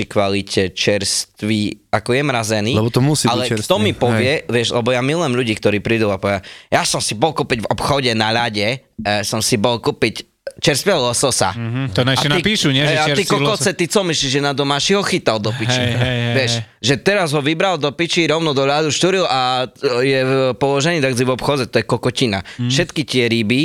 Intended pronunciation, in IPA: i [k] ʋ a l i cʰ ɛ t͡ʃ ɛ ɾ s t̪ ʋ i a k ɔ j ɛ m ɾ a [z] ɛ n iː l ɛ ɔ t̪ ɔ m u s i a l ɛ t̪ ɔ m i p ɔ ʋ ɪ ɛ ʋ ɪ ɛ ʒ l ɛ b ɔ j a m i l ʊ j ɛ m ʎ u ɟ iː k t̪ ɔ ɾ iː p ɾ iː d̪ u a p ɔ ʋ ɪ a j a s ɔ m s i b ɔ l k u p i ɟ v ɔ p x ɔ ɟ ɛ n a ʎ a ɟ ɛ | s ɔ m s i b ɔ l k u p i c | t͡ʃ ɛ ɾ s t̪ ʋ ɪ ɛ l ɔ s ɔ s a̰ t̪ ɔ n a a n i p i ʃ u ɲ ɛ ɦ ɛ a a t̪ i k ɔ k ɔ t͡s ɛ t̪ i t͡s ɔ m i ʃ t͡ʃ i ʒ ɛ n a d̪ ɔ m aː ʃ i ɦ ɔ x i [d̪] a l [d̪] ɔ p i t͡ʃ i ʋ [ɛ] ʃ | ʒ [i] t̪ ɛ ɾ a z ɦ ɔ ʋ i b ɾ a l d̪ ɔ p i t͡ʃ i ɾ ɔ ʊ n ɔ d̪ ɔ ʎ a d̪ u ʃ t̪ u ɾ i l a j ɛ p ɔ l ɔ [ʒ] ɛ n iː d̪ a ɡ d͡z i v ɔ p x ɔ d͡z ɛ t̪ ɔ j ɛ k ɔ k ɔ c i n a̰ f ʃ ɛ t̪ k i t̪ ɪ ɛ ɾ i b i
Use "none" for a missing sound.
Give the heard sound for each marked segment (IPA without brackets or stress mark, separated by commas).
k, z, t̪, d̪, ɛ, ɛ, ʒ